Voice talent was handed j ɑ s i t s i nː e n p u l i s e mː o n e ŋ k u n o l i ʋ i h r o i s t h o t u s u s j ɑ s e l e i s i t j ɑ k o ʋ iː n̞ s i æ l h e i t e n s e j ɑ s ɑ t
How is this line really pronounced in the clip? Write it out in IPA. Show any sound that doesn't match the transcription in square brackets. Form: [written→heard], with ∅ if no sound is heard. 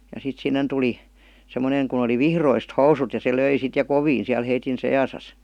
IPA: j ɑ s i t s i nː e n [p→t] u l i s e mː o n e ŋ k u n o l i ʋ i h r o i s t h o [t→∅] u s u [s→t] j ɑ s e l [e→ø] i s i t j ɑ k o ʋ iː n̞ s i æ l h e i t [e→i] n s e j ɑ s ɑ [t→s]